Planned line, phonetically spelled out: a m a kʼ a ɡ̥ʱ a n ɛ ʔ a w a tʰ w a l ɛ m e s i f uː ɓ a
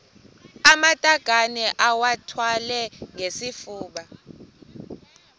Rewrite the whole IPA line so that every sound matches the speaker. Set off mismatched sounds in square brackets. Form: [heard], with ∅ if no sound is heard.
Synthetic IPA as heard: a m a [tʼ] a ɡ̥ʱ a n ɛ ʔ a w a tʰ w a l ɛ [ŋ] e s i f uː ɓ a

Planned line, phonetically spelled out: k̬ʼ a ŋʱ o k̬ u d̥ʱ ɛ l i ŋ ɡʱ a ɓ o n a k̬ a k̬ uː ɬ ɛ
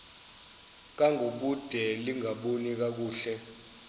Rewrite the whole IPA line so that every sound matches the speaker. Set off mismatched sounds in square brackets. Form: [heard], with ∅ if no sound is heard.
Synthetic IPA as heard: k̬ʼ a ŋʱ o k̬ u d̥ʱ ɛ l i ŋ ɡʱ a ɓ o n [i] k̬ a k̬ uː ɬ ɛ

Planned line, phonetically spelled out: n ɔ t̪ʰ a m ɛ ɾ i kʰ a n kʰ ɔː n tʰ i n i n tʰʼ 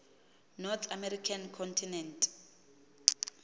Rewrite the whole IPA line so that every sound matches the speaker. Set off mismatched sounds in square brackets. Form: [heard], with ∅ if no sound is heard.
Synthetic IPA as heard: n ɔ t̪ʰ a m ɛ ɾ i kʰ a n kʰ [ɔ] n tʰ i n [ɛ] n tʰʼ

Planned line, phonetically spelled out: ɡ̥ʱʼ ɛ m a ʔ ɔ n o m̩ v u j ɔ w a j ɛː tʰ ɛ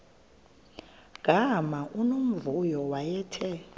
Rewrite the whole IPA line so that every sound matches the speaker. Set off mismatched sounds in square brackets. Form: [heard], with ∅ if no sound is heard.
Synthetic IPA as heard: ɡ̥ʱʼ [a] m a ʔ [u] n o m̩ v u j ɔ w a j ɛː tʰ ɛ

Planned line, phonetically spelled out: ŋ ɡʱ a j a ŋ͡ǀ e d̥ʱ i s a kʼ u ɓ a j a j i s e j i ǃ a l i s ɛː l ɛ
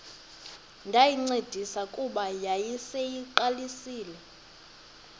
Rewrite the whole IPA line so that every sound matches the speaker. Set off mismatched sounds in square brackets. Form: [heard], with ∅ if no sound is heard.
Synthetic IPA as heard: ŋ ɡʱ a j [i] ŋ͡ǀ e d̥ʱ i s a kʼ u ɓ a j a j i s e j i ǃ a l i s [iː] l ɛ

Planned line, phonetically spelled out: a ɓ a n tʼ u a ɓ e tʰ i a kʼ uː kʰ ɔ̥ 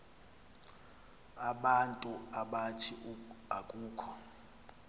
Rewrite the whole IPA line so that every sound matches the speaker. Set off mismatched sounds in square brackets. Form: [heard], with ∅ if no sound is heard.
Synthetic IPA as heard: a ɓ a n tʼ u a ɓ [a] tʰ i a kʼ uː kʰ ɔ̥

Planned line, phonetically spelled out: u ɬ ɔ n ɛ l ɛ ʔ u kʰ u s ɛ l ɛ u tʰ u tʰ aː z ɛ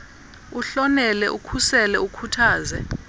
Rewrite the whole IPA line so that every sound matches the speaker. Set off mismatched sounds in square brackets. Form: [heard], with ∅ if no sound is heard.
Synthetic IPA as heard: u ɬ ɔ n ɛ l ɛ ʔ u kʰ u s ɛ l ɛ u [kʰ] u tʰ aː z ɛ

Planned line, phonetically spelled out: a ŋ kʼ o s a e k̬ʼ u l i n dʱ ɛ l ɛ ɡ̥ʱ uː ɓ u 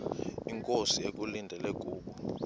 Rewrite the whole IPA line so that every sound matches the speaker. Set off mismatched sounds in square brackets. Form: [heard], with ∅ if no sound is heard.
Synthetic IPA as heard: [i] ŋ kʼ o s [i] e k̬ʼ u l i n dʱ ɛ l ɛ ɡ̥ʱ uː ɓ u

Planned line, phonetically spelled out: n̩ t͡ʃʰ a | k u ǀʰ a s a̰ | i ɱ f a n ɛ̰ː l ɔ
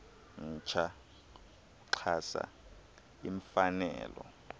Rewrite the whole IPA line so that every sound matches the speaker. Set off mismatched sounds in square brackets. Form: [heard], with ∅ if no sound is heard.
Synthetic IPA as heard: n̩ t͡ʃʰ a | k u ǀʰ a s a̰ | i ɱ f a n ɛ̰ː l ɔ

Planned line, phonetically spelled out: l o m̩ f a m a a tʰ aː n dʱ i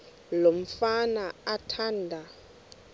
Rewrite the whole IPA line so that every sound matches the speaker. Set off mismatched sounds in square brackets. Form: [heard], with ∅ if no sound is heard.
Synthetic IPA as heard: l o m̩ f a [n] a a tʰ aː n dʱ [a]

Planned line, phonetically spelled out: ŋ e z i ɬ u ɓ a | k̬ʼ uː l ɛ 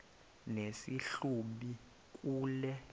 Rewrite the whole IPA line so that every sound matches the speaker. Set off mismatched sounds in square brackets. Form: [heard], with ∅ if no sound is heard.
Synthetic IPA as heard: [n] e [s] i ɬ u ɓ [i] | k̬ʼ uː l ɛ

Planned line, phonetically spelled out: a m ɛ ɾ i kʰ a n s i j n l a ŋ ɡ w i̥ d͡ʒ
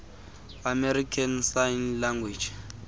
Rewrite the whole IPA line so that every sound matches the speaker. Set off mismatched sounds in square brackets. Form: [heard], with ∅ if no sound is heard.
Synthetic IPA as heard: a m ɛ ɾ i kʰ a n s [a] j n l a ŋ ɡ w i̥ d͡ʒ

